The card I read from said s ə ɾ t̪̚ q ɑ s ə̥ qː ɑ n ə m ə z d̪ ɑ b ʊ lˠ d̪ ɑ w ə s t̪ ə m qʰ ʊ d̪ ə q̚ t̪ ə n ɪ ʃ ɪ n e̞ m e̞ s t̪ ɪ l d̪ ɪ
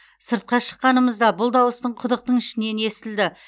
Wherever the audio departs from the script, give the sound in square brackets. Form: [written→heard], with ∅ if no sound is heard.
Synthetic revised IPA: s ə ɾ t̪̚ q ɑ [s→ʃ] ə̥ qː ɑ n ə m ə z d̪ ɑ b ʊ lˠ d̪ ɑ w ə s t̪ ə [m→ɴ] qʰ ʊ d̪ ə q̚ t̪ ə [n→ɴ] ɪ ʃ ɪ n e̞ [m→n] e̞ s t̪ ɪ l d̪ ɪ